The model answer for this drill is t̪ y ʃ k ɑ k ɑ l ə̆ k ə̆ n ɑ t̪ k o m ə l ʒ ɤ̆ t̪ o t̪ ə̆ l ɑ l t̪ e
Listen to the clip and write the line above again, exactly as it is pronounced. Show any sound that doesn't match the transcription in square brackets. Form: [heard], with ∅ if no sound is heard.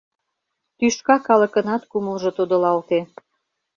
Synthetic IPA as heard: t̪ y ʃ k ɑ k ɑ l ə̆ k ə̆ n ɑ t̪ k [u] m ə l ʒ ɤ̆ t̪ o [d̪] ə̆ l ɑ l t̪ e